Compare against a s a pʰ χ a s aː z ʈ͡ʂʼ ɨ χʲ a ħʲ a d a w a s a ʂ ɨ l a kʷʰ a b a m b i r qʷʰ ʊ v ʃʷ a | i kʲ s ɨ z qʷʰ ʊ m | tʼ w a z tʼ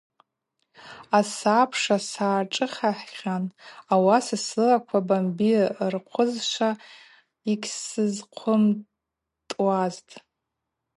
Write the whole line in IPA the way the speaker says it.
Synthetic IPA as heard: a s a pʰ ʂ a s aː ʈ͡ʂʼ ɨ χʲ a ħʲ a n a w a s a s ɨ l a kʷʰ a b a m b i r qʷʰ ʊ z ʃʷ a | i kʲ s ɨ z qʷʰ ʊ m | tʼ w a z tʼ